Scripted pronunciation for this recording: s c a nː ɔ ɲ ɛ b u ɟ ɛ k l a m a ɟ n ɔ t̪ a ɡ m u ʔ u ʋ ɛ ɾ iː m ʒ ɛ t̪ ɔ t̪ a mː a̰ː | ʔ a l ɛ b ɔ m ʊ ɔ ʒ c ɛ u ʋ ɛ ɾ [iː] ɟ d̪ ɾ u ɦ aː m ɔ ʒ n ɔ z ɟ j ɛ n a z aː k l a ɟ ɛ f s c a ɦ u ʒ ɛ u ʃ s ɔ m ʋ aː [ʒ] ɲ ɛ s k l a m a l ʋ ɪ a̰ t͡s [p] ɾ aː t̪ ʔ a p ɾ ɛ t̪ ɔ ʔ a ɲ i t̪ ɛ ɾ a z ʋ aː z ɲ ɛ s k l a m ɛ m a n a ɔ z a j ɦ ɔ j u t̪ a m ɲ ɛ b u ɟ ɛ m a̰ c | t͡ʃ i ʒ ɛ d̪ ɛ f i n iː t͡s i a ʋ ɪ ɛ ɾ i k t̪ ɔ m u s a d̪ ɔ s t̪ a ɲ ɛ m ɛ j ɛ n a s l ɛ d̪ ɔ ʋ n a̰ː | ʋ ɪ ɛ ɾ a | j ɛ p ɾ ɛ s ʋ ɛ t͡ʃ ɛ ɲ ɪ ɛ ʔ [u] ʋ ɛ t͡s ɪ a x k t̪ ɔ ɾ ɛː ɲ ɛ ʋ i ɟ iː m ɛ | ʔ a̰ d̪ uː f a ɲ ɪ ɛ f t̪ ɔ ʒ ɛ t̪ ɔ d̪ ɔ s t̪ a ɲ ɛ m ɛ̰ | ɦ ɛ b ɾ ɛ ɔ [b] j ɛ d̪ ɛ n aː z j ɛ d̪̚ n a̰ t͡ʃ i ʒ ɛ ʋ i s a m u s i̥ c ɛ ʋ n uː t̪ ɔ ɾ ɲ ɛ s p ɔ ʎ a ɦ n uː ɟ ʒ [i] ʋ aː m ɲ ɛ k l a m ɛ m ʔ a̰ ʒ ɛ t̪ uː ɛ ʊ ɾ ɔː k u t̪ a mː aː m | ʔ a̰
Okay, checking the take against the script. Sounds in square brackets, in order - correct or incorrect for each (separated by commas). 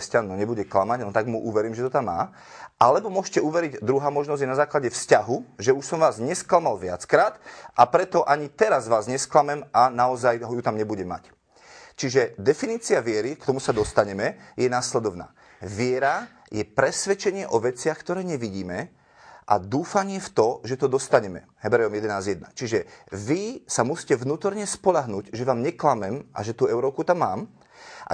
incorrect, incorrect, incorrect, incorrect, incorrect, incorrect